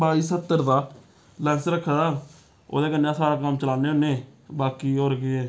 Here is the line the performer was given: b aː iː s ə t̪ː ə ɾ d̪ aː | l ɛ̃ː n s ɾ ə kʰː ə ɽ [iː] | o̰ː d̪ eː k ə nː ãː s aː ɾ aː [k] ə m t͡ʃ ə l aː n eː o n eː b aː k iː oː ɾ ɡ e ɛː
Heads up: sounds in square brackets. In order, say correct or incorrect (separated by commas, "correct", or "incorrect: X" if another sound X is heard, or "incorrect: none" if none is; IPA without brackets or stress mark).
incorrect: aː, correct